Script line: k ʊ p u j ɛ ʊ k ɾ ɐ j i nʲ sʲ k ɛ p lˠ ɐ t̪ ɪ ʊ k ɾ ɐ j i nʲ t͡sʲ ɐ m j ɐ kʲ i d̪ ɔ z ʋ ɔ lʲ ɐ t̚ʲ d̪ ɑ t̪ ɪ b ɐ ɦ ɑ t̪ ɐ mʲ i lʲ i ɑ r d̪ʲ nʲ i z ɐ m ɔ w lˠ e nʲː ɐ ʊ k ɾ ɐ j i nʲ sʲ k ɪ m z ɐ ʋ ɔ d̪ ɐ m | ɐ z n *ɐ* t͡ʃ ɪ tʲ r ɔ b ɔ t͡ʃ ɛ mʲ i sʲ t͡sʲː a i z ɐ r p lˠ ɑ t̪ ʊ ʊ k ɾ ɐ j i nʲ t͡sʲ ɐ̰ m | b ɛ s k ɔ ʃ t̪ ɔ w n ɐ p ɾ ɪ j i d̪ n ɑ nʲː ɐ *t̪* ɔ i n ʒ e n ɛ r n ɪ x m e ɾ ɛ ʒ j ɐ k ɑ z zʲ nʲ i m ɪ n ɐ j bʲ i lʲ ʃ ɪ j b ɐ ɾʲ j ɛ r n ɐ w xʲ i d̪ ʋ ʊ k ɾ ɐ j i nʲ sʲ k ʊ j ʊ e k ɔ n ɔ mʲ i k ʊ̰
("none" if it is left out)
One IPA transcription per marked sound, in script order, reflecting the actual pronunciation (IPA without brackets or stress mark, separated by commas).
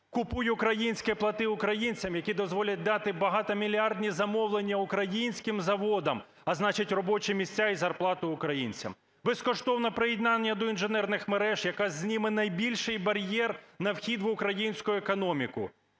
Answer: ɑ, d̪